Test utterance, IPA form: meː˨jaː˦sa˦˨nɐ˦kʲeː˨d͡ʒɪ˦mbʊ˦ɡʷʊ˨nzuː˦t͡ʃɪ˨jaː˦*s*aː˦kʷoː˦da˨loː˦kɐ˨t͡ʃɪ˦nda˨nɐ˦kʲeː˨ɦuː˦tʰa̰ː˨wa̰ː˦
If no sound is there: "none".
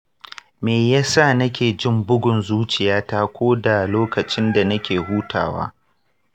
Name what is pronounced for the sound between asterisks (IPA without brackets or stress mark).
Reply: t